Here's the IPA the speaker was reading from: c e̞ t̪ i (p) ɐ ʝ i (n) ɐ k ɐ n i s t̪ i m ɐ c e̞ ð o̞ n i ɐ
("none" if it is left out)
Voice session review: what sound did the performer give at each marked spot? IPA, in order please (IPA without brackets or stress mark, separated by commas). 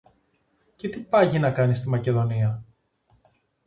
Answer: p, n